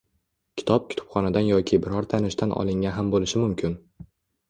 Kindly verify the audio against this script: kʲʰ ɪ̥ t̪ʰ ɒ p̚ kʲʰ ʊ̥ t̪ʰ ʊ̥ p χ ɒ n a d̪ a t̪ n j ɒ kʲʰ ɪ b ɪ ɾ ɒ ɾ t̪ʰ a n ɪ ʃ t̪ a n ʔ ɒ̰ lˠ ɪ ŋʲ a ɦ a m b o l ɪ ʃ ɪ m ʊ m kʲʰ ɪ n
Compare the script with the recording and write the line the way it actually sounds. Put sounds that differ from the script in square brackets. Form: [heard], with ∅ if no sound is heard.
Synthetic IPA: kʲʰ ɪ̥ t̪ʰ ɒ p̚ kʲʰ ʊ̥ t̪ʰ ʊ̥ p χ ɒ n a d̪ a [∅] n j ɒ kʲʰ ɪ b ɪ ɾ ɒ ɾ t̪ʰ a n ɪ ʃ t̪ a n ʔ ɒ̰ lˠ ɪ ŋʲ a ɦ a m b o l ɪ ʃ ɪ m ʊ m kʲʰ ɪ n